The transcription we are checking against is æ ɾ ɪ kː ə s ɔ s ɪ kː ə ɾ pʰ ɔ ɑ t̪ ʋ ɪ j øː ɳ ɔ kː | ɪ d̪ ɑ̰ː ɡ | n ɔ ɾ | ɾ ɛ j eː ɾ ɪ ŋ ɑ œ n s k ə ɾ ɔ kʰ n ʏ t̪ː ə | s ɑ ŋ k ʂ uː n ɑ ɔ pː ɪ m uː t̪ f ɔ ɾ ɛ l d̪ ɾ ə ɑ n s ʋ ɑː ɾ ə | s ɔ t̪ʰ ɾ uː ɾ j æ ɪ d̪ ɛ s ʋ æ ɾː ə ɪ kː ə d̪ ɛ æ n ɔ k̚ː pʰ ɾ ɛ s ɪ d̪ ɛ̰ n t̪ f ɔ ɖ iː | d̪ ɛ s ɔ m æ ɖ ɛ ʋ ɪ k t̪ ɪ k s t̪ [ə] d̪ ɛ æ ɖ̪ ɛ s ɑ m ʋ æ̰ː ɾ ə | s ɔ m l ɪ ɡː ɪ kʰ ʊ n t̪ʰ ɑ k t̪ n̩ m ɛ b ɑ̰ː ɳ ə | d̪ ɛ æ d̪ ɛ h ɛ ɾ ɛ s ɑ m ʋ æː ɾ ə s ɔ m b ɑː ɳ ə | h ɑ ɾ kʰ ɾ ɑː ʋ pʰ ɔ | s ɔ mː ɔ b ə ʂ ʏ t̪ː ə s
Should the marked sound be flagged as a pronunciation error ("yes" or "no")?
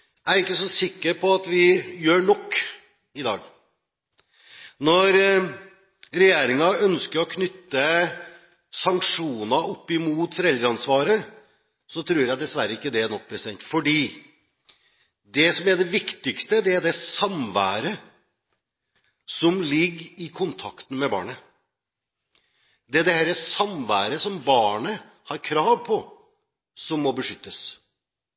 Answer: no